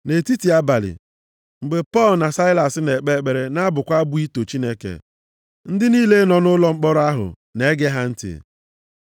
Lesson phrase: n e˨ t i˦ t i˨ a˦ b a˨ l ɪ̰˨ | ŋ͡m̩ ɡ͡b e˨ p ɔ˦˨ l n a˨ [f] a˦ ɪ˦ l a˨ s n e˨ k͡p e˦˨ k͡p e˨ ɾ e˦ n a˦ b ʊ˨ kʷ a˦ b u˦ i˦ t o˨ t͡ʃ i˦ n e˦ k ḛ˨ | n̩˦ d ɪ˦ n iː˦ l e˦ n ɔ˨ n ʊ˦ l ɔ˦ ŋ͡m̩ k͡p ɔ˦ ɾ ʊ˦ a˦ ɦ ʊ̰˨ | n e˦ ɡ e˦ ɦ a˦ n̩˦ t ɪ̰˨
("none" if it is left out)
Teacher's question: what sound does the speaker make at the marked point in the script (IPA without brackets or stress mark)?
s